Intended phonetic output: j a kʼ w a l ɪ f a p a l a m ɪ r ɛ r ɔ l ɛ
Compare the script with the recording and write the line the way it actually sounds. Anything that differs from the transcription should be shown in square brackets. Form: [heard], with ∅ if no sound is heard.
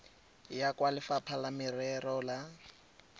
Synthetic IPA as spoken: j a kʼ w a l ɪ f a [pʰ] a l a m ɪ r ɛ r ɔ l [a]